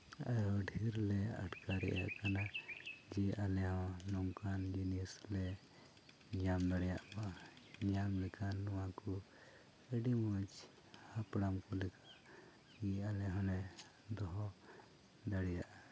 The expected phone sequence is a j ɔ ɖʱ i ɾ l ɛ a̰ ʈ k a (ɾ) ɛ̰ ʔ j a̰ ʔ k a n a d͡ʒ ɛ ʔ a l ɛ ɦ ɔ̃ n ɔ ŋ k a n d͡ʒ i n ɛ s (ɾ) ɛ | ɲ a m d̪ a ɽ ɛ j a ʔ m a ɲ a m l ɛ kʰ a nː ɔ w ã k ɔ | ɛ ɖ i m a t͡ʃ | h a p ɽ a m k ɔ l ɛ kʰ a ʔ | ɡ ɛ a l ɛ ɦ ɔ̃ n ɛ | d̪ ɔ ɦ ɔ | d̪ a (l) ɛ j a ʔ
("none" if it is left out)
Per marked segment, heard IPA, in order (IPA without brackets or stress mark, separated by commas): ɾ, l, ɽ